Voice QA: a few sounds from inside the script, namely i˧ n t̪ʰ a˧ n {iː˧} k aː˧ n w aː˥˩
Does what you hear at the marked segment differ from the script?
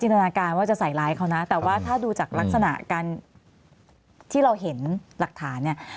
yes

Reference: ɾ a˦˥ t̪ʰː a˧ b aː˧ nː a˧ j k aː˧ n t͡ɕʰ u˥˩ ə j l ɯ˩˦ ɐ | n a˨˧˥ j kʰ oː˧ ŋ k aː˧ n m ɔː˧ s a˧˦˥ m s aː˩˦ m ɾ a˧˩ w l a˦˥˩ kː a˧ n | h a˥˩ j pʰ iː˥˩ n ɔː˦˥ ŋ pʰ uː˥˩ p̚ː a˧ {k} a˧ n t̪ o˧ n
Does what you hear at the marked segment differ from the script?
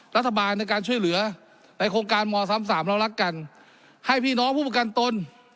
no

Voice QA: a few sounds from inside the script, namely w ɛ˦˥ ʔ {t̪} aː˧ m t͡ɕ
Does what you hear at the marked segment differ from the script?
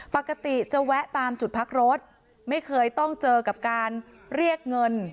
no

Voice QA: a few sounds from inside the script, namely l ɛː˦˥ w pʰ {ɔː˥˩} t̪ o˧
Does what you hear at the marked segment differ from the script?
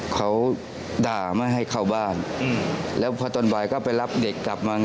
yes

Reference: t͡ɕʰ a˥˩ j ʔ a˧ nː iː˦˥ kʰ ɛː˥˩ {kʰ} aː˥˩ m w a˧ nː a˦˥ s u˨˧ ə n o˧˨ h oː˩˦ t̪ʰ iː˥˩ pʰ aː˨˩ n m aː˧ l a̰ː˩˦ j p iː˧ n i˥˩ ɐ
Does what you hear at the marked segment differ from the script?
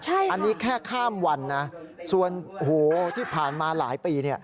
no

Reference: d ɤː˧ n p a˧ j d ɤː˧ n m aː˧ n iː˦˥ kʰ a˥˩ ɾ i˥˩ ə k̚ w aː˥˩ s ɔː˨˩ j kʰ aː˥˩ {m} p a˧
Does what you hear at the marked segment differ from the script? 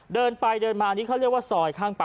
yes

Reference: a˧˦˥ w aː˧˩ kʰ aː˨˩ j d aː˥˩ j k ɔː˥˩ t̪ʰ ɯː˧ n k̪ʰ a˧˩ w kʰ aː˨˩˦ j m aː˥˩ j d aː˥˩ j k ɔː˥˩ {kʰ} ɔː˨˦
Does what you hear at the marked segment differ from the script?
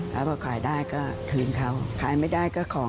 no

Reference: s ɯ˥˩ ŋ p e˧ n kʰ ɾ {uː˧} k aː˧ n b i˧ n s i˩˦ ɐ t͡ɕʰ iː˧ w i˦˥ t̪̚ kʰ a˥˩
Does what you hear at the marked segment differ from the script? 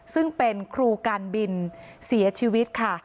no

